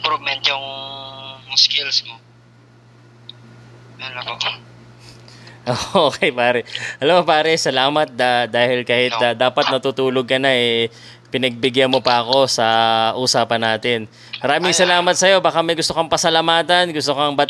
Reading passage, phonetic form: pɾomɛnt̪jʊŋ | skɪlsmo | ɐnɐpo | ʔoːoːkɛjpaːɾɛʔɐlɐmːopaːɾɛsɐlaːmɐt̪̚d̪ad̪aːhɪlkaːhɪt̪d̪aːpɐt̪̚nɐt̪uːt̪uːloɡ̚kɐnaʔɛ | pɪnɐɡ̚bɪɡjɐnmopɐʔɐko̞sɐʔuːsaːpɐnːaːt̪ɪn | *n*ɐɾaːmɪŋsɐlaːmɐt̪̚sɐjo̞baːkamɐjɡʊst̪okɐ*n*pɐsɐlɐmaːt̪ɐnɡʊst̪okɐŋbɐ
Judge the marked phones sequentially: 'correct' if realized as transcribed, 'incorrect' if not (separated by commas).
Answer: incorrect, incorrect